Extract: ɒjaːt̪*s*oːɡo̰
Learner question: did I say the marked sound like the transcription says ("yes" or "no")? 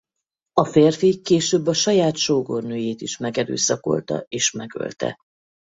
no